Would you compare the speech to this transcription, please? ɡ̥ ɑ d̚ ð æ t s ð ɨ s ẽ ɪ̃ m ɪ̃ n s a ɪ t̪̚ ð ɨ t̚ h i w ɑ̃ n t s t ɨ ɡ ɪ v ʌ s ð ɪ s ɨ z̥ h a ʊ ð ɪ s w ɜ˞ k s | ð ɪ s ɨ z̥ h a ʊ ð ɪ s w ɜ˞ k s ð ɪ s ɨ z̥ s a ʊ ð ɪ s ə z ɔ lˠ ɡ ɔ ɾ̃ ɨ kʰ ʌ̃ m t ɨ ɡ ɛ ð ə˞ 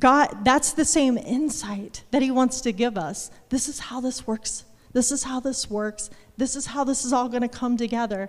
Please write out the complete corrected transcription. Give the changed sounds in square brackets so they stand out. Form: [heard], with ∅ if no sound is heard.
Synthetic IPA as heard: ɡ̥ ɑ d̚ ð æ t s ð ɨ s ẽ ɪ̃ m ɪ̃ n s a ɪ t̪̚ ð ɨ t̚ h i w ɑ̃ n t s t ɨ ɡ ɪ v ʌ s ð ɪ s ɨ z̥ h a ʊ ð ɪ s w ɜ˞ k s | ð ɪ s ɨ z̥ h a ʊ ð ɪ s w ɜ˞ k s ð ɪ s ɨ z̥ [h] a ʊ ð ɪ s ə z ɔ lˠ ɡ [ʌ] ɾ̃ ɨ kʰ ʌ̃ m t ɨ ɡ ɛ ð ə˞